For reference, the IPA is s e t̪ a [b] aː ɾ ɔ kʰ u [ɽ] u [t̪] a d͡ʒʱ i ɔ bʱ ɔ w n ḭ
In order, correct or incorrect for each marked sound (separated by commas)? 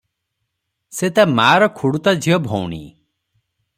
incorrect, correct, correct